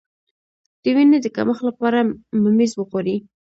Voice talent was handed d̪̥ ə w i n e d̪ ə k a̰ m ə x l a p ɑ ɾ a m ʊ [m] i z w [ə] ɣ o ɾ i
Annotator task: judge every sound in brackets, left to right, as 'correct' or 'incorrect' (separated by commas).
correct, correct